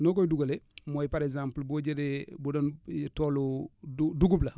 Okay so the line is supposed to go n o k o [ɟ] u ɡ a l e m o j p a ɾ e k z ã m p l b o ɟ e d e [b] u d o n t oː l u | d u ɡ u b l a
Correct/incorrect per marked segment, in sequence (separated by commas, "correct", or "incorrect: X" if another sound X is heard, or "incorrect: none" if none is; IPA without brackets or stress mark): incorrect: d, correct